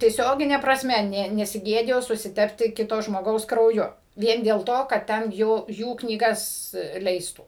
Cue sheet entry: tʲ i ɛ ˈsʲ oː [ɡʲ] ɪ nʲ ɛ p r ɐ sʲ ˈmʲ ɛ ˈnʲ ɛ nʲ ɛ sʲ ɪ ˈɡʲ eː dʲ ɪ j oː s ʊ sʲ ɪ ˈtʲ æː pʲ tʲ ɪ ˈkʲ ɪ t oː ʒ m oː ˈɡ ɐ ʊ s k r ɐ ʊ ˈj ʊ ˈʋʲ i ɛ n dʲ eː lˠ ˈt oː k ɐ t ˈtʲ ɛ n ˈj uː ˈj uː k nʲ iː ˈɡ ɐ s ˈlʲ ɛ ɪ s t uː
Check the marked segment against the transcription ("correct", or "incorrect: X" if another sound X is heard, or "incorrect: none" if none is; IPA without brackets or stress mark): correct